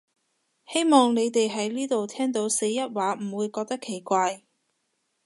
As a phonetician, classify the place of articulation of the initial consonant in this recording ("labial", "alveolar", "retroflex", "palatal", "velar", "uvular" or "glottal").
glottal